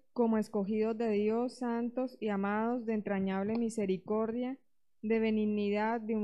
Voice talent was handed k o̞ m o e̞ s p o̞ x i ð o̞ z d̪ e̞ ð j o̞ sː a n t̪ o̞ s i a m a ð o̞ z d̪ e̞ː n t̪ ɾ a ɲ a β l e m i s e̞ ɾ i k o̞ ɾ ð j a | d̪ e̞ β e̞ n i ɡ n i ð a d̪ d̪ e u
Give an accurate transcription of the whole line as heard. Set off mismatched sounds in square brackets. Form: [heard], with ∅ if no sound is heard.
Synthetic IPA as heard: k o̞ m o e̞ s [k] o̞ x i ð o̞ z d̪ e̞ ð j o̞ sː a n t̪ o̞ s i a m a ð o̞ z d̪ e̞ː n t̪ ɾ a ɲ a β l e m i s e̞ ɾ i k o̞ ɾ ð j a | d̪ e̞ β e̞ n i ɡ n i ð a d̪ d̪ e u